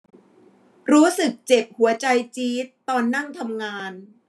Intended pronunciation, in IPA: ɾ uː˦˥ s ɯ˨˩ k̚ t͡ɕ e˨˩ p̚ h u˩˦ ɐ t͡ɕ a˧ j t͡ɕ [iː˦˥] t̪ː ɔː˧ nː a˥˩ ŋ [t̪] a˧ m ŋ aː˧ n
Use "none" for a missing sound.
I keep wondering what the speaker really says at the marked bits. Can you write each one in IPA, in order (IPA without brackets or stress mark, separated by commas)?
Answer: iː˦˥, t̪ʰ